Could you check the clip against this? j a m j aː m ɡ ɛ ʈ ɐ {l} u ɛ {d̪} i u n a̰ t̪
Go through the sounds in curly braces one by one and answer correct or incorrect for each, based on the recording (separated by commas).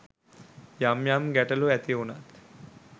correct, incorrect